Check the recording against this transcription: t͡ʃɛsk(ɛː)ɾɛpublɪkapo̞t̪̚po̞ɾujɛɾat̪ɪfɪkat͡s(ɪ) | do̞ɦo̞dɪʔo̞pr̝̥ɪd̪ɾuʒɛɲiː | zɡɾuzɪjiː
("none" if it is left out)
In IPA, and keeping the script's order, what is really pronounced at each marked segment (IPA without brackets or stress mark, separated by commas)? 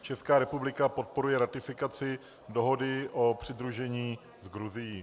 aː, ɪ